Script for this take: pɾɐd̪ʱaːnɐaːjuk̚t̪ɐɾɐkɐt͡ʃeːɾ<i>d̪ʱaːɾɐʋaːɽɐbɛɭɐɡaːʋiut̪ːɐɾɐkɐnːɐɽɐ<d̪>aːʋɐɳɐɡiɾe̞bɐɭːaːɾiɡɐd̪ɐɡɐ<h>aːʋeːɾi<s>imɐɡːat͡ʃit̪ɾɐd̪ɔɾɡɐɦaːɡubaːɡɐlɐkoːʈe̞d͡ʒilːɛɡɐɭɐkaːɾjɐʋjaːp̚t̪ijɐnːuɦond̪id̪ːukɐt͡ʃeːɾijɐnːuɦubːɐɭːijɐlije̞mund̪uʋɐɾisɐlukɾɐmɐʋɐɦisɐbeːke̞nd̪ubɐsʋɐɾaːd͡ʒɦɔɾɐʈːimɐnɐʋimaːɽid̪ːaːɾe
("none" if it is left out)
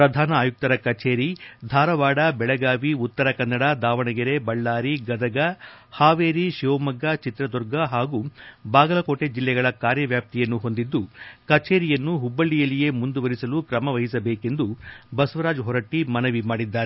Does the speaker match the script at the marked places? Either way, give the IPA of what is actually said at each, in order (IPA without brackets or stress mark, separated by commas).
i, d̪, h, ʃ